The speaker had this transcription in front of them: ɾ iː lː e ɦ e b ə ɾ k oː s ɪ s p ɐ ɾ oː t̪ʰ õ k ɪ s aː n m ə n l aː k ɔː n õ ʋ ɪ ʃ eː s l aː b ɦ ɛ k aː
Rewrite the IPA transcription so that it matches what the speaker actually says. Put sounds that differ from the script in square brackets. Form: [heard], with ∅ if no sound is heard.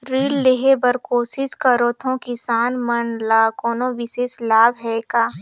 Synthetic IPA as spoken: ɾ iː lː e ɦ e b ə ɾ k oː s ɪ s [k] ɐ ɾ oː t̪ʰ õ k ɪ s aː n m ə n l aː k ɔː n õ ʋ ɪ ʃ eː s l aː b ɦ ɛ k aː